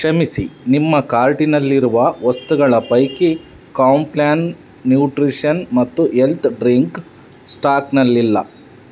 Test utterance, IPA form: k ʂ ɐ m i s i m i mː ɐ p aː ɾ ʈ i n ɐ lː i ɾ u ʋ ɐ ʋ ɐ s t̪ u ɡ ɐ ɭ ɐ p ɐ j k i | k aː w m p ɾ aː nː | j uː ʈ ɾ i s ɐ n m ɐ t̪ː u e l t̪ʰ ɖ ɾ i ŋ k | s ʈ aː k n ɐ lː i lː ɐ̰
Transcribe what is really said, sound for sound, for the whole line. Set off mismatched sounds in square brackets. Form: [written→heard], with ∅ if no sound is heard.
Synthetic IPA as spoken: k ʂ ɐ m i s i [m→n] i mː ɐ [p→k] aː ɾ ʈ i n ɐ lː i ɾ u ʋ ɐ ʋ ɐ s t̪ u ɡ ɐ ɭ ɐ p ɐ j k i | k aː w m p [ɾ→l] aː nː | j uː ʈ ɾ i [s→ʂ] ɐ n m ɐ t̪ː u e l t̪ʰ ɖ ɾ i ŋ k | s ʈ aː k n ɐ lː i lː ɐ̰